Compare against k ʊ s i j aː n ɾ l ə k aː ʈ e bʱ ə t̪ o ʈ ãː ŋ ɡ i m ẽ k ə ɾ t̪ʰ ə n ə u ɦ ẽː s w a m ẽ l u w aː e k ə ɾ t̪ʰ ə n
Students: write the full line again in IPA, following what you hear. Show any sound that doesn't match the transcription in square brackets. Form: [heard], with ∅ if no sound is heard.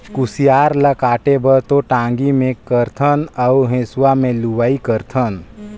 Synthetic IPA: k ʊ s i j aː [∅] ɾ l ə k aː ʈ e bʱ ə t̪ o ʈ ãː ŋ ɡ i m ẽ k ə ɾ t̪ʰ ə n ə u ɦ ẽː s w a m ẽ l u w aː [i] k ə ɾ t̪ʰ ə n